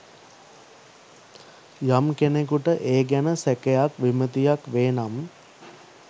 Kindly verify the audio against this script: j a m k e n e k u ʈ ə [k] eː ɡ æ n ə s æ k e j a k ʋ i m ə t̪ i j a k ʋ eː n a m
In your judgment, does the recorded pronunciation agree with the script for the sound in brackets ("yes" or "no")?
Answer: no